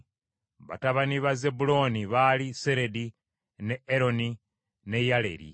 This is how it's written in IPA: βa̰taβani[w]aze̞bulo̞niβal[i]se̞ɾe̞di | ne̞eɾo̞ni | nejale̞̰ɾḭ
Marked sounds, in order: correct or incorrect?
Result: incorrect: β, correct

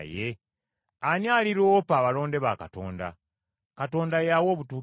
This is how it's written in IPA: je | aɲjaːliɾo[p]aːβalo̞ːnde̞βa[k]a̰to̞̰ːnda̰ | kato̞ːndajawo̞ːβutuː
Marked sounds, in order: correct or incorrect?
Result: correct, correct

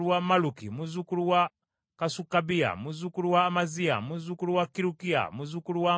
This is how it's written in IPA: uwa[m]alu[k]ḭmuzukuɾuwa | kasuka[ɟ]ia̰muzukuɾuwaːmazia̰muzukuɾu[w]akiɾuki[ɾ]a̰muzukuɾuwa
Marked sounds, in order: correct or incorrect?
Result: correct, correct, incorrect: b, correct, incorrect: none

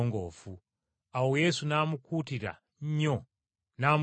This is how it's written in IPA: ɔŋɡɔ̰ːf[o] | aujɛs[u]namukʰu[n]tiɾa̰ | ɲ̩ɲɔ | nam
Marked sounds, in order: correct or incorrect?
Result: incorrect: u, correct, incorrect: none

